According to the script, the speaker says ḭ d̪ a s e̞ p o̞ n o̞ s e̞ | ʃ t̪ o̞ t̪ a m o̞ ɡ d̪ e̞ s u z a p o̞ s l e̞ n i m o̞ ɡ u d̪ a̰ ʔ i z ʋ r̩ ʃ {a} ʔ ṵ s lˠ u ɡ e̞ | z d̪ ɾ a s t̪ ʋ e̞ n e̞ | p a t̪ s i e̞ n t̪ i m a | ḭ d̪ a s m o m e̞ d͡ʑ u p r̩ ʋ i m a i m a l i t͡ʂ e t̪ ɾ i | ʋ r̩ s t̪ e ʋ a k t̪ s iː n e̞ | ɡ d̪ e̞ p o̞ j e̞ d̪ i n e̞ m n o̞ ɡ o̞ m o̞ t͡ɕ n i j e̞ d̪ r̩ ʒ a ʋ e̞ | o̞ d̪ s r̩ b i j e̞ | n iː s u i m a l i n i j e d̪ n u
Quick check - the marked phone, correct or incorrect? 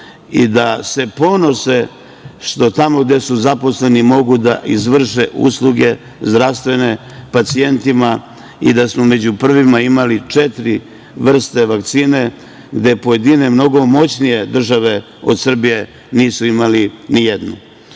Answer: incorrect